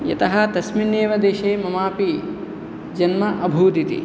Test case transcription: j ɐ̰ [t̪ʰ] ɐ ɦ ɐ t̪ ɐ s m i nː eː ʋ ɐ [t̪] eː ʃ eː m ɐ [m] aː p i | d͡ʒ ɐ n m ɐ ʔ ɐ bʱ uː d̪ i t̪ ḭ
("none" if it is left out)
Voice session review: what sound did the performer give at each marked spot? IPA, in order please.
t̪, d̪, m

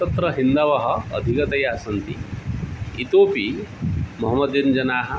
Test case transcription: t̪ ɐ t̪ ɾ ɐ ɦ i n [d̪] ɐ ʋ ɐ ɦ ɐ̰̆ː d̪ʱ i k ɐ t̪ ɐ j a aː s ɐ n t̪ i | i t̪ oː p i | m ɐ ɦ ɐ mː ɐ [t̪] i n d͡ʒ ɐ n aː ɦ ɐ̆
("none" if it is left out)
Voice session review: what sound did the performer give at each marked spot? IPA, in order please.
d̪, d̪

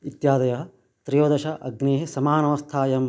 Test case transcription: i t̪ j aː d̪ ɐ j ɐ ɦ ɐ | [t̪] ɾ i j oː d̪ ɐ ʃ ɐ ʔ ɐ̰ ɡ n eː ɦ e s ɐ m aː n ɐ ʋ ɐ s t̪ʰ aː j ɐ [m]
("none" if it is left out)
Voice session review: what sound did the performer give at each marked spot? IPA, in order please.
t̪, m

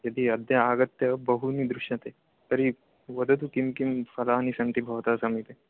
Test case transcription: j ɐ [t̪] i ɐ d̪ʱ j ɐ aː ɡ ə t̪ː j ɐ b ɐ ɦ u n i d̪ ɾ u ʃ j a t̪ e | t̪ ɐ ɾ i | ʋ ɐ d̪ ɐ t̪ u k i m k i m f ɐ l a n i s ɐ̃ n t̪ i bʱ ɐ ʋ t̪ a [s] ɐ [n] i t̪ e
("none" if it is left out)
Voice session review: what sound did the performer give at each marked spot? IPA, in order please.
d̪, s, m

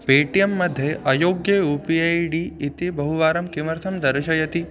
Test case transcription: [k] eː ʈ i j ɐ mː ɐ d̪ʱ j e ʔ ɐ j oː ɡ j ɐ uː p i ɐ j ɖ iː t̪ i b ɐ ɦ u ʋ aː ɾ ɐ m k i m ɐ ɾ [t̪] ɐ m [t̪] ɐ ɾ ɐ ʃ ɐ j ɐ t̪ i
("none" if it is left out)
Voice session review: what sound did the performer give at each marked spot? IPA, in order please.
p, t̪ʰ, d̪

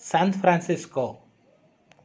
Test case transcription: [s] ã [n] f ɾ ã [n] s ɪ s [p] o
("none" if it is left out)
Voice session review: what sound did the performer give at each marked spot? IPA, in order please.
s, n, n, k

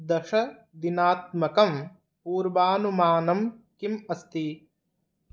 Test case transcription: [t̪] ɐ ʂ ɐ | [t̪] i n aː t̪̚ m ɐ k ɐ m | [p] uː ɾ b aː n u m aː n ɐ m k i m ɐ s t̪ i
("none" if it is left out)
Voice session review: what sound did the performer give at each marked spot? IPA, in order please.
d̪, d̪, p

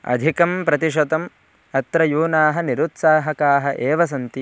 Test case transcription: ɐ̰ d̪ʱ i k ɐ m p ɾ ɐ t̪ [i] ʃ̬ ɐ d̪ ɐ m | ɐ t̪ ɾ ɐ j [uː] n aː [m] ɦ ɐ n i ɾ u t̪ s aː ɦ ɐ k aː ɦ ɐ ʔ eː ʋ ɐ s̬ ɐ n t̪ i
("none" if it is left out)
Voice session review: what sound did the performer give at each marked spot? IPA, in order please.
i, uː, none

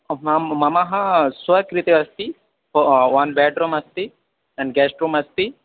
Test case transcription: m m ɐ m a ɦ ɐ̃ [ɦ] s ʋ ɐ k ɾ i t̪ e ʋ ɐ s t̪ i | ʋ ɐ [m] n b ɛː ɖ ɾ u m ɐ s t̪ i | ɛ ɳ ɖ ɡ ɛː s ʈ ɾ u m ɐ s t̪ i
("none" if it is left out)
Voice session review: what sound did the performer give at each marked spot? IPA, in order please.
none, none

